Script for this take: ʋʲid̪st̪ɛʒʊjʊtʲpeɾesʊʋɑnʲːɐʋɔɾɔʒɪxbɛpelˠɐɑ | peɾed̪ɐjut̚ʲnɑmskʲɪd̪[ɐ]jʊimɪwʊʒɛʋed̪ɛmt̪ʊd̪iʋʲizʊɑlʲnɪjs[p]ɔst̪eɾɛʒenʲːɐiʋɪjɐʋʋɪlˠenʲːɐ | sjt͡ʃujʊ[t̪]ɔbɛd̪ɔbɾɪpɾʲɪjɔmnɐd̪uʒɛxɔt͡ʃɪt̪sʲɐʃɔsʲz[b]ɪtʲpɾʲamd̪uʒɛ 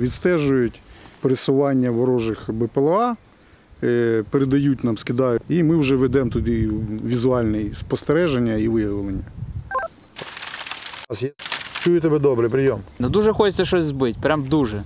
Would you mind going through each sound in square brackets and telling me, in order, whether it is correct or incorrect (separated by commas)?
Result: incorrect, correct, correct, correct